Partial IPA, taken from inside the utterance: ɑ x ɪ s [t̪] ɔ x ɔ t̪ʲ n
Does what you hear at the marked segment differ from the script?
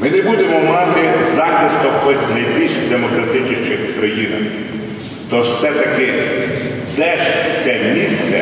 no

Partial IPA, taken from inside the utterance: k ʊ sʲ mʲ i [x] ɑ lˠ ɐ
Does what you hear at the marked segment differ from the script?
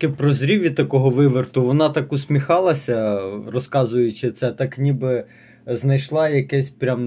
no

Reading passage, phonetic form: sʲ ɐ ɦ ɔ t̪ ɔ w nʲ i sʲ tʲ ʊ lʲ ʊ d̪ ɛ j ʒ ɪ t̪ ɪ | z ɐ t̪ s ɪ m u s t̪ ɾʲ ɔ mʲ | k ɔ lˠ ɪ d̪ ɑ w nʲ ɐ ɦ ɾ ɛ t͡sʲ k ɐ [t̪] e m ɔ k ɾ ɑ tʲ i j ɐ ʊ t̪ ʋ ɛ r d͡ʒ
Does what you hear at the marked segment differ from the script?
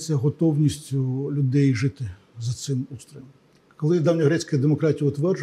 yes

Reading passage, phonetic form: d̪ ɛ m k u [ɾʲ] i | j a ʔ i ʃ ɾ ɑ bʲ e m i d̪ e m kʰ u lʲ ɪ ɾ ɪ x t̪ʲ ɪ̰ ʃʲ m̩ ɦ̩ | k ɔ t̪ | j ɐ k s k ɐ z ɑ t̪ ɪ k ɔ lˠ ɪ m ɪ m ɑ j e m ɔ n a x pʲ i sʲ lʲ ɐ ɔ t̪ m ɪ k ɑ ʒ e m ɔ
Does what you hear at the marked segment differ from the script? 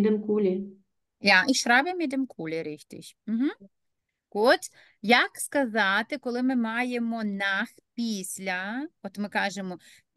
yes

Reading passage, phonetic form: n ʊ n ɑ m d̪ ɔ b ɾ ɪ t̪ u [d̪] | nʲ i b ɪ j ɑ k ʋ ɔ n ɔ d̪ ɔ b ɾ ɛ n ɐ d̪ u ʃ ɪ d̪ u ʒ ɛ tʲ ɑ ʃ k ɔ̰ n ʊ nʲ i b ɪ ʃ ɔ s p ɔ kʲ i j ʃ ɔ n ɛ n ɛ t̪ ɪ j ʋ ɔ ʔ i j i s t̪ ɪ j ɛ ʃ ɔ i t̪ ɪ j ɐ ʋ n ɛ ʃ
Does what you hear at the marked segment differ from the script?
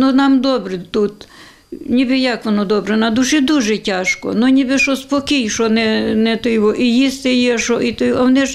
yes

